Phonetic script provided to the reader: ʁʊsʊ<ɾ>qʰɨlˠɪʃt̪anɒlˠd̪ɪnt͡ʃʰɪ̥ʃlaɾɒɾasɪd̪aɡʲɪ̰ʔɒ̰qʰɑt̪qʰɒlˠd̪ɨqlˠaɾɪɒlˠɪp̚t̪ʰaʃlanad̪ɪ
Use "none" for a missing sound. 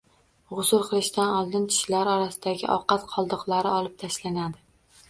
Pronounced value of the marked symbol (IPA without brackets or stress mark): ɾ